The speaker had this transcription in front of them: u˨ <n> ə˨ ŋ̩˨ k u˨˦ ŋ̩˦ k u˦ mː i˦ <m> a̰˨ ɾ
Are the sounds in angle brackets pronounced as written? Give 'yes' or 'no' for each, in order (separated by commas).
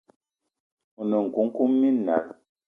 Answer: yes, no